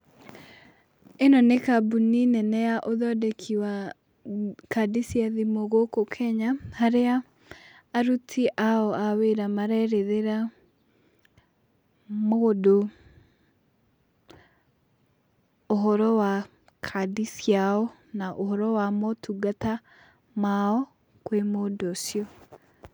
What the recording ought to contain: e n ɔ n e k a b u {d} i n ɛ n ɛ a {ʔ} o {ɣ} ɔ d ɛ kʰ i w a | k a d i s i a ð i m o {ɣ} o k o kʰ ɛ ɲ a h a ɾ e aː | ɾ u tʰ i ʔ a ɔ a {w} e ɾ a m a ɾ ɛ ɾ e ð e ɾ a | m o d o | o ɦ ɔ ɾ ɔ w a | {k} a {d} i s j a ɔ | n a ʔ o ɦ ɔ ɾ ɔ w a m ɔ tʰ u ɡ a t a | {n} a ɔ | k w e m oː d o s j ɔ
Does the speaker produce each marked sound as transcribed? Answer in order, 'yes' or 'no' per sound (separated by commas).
no, yes, no, yes, yes, no, yes, no